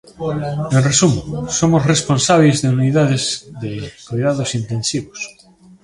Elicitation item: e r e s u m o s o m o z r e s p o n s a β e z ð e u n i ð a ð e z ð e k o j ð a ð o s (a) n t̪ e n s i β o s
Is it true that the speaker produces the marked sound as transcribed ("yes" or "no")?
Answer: no